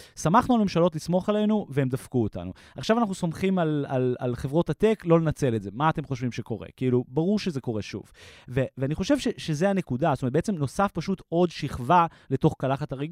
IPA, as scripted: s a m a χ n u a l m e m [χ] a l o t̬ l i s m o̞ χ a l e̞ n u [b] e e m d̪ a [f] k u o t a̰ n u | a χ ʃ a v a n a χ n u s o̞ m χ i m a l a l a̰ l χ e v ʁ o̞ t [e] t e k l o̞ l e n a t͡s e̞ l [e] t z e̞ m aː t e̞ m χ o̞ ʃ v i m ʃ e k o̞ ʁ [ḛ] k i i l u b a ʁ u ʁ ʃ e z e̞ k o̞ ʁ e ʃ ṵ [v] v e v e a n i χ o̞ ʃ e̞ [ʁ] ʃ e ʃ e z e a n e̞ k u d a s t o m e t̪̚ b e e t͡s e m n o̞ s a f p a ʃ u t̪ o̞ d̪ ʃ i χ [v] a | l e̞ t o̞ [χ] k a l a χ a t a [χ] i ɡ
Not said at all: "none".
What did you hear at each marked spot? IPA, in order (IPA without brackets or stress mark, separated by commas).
ʃ, v, f, a, e, ḛ, v, v, v, χ, ʁ